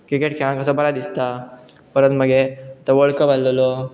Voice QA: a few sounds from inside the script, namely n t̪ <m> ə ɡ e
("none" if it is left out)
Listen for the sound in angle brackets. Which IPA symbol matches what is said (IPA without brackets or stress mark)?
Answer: m